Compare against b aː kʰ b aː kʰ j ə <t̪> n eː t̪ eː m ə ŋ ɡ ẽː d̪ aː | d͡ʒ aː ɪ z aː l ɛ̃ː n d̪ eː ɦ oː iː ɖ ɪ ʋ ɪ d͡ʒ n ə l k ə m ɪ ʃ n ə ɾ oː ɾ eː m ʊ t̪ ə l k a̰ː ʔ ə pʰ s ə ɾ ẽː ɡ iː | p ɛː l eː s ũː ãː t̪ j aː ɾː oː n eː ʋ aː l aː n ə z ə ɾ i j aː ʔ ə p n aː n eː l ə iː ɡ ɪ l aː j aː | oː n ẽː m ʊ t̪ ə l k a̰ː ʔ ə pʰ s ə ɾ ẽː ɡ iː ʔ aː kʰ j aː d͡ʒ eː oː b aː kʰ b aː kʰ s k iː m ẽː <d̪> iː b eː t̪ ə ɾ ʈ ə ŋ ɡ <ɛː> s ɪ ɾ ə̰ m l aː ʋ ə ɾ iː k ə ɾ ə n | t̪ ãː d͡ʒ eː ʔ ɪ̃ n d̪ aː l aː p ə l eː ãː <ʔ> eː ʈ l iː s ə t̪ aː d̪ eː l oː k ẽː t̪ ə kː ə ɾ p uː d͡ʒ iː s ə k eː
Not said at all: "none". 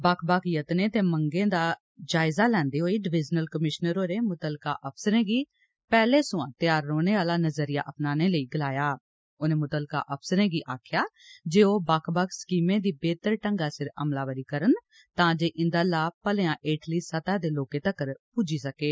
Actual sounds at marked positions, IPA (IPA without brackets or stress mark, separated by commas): t̪, d̪, aː, ʔ